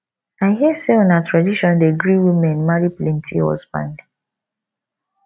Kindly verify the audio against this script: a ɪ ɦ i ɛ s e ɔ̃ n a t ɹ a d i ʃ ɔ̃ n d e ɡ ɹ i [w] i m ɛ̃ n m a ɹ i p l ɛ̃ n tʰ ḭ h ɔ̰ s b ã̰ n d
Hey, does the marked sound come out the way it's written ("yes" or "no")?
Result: yes